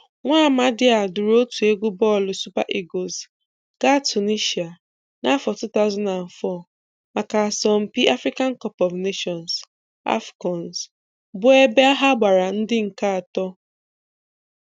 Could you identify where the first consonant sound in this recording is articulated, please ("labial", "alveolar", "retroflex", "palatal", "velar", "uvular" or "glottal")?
velar